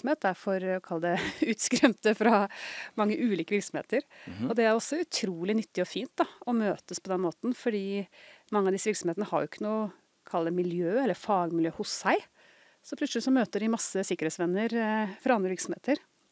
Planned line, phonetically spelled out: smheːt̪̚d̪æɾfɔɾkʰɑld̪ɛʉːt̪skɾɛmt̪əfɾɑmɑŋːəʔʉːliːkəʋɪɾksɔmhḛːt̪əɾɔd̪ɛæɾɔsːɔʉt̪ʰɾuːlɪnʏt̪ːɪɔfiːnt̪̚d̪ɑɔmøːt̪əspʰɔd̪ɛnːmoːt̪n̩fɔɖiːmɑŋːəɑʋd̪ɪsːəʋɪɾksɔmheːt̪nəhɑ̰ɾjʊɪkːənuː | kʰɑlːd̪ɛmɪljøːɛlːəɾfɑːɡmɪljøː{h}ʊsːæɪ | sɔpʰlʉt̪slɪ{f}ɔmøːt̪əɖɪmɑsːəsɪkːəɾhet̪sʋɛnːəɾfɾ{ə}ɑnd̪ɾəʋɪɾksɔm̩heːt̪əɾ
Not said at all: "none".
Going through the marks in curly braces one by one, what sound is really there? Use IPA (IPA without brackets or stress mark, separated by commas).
h, s, ɑ